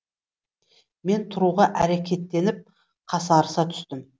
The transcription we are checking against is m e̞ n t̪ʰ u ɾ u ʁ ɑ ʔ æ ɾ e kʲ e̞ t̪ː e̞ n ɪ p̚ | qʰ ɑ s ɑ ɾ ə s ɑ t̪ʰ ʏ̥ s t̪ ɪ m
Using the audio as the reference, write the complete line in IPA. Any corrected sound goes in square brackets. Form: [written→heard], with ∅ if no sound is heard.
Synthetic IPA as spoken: m e̞ n t̪ʰ [u→ʊ] ɾ u ʁ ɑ ʔ æ ɾ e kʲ e̞ t̪ː e̞ n ɪ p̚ | qʰ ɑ s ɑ ɾ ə s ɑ t̪ʰ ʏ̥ s t̪ ɪ m

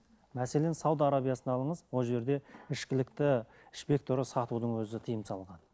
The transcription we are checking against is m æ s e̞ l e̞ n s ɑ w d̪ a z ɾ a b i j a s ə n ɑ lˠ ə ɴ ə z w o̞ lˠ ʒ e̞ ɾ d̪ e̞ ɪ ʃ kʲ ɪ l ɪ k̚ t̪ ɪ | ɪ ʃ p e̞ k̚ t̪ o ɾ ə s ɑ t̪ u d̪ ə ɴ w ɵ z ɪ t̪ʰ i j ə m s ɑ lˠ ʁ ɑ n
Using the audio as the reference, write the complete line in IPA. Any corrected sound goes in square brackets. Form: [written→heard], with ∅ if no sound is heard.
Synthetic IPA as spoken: m æ s e̞ l e̞ n s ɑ w d̪ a [z→∅] ɾ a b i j a s ə n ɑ lˠ ə ɴ ə z w o̞ lˠ ʒ e̞ ɾ d̪ e̞ ɪ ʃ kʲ ɪ l ɪ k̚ t̪ ɪ | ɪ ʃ p e̞ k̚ t̪ o ɾ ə s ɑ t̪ u d̪ ə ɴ w ɵ z ɪ t̪ʰ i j ə m s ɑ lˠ ʁ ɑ n

